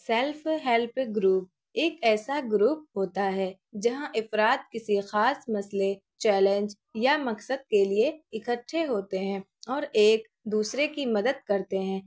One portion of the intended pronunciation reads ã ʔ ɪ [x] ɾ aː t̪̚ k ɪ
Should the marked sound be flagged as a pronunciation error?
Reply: yes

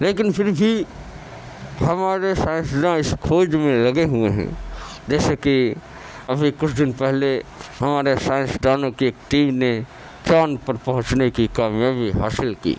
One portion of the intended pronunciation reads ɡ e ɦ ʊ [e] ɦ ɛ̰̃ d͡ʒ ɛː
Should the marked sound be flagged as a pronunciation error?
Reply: no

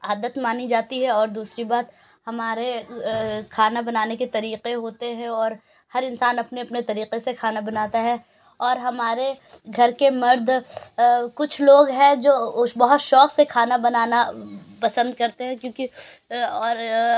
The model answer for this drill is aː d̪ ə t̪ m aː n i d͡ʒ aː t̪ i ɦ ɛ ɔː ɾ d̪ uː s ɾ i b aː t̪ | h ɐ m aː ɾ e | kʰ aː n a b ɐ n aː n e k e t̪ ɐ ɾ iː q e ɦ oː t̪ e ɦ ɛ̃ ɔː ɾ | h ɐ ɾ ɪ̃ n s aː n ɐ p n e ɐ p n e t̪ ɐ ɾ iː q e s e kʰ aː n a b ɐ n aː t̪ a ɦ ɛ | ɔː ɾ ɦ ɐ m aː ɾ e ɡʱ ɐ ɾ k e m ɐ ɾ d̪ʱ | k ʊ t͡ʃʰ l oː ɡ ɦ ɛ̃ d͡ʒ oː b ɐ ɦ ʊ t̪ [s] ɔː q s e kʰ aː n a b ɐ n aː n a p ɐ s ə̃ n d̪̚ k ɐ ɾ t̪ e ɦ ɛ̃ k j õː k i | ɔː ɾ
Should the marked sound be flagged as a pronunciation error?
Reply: yes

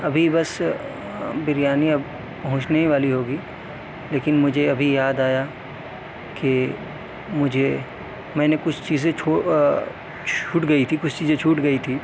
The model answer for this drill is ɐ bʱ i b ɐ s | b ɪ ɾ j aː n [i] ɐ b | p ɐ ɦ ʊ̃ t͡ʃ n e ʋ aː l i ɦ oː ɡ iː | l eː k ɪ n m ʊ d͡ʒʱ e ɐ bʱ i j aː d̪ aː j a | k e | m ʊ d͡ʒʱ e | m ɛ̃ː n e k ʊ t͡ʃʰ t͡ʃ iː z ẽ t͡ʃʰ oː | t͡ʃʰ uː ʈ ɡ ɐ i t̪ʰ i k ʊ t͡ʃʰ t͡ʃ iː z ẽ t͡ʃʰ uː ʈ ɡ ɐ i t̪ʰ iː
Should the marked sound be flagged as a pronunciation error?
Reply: no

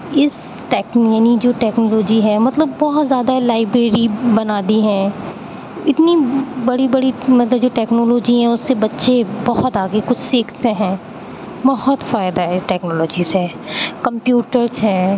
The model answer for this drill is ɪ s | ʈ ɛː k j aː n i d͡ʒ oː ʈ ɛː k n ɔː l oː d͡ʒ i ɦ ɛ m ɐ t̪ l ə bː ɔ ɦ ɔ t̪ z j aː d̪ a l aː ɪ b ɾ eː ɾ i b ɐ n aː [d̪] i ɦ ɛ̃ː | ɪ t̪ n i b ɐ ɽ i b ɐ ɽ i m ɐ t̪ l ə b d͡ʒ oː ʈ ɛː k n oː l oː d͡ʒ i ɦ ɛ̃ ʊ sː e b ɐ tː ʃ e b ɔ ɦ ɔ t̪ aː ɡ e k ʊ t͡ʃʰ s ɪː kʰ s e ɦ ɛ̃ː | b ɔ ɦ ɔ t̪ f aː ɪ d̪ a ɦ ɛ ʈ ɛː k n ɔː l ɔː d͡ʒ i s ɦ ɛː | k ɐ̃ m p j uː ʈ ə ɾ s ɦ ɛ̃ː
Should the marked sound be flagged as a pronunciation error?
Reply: no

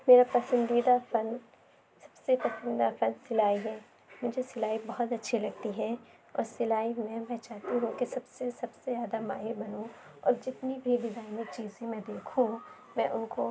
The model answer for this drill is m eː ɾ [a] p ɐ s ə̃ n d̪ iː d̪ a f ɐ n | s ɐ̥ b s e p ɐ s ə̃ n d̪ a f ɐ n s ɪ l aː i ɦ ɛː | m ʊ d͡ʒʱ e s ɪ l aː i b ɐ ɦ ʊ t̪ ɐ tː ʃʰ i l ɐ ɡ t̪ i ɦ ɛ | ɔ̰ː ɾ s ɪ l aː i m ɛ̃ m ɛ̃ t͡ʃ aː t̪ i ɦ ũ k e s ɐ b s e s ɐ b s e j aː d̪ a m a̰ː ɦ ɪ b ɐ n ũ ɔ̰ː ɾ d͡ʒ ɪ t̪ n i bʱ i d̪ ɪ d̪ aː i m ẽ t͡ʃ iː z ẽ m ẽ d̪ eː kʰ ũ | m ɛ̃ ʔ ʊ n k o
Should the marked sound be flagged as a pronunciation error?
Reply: no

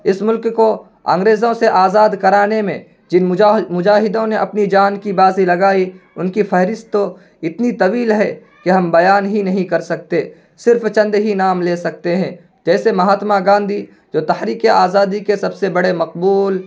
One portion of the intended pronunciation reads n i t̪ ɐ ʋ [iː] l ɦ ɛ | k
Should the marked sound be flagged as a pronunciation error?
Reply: no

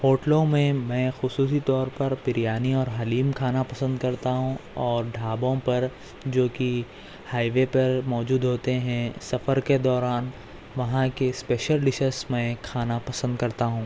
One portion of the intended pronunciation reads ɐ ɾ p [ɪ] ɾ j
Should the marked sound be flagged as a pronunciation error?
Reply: no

